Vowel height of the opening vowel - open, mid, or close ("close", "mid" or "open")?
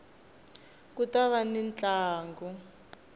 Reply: close